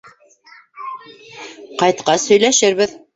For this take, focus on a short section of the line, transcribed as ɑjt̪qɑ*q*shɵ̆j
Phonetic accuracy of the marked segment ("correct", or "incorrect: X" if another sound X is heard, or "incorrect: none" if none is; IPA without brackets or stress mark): incorrect: none